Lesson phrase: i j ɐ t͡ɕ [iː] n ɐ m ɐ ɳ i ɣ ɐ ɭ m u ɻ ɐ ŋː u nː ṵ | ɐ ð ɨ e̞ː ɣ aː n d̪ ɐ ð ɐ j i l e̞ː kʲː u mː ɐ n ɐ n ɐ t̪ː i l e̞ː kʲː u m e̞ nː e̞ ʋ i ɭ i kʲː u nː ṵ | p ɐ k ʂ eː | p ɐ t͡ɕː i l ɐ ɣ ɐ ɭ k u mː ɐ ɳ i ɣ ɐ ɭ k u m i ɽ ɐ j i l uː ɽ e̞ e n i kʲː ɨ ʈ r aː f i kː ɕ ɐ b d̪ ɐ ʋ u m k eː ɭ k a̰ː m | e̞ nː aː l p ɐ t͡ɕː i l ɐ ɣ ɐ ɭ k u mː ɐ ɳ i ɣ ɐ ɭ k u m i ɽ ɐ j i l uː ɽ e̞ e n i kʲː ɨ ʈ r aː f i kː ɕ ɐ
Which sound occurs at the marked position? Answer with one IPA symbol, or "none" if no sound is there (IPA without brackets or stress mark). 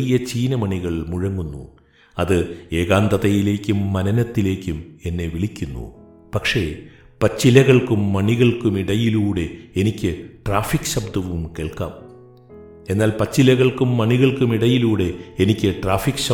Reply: iː